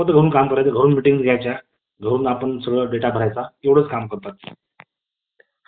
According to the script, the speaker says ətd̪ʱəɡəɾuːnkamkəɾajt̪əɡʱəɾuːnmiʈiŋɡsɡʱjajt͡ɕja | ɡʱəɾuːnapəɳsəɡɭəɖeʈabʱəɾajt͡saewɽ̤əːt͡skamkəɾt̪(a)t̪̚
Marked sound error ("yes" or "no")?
no